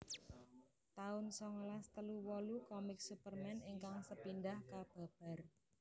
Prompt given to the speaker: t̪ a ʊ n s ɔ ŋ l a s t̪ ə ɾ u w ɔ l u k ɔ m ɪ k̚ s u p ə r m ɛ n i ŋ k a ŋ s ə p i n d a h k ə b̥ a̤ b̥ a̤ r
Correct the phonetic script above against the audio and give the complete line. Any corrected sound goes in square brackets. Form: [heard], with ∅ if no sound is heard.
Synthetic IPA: t̪ a ʊ n s ɔ ŋ l a s t̪ ə [l] u w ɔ l u k ɔ m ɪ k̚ s u p ə r m ɛ n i ŋ k a ŋ s ə p i n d a h k [a] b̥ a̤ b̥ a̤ r